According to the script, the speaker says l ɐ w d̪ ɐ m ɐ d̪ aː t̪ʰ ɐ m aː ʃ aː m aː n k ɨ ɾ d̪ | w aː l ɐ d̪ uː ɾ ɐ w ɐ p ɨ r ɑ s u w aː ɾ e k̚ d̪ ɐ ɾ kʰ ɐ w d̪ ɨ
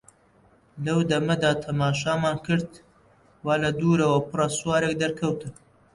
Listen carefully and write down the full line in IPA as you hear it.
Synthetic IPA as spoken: l ɐ w d̪ ɐ m ɐ d̪ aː t̪ʰ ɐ m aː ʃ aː m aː n k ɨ ɾ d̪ | w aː l ɐ d̪ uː ɾ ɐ w ɐ p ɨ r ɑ s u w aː ɾ e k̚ d̪ ɐ ɾ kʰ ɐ w t̪ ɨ